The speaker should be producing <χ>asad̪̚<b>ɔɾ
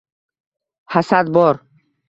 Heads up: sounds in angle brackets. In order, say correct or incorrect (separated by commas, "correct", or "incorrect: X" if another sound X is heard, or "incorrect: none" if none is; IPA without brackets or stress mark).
incorrect: h, correct